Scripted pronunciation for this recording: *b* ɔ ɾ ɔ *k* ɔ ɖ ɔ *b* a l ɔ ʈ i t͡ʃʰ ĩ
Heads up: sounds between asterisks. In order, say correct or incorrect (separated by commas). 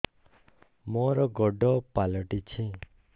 incorrect, incorrect, incorrect